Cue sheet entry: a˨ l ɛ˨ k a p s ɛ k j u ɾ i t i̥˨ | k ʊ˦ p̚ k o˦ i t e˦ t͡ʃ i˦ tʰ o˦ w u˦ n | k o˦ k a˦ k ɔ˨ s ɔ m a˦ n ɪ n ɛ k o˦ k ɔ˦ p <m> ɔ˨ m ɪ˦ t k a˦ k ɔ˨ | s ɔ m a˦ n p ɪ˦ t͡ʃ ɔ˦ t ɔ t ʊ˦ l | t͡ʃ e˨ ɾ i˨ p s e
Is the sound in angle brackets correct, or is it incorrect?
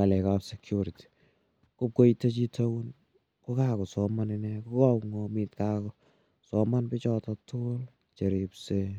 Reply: incorrect: ŋ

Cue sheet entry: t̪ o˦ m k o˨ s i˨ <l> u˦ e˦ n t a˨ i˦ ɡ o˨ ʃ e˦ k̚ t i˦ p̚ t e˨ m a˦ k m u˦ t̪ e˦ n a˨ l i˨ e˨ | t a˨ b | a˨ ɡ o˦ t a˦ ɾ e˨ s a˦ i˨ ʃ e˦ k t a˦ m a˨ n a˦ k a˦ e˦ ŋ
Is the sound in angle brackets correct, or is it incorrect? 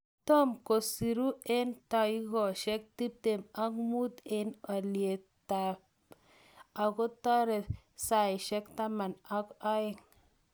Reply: incorrect: ɾ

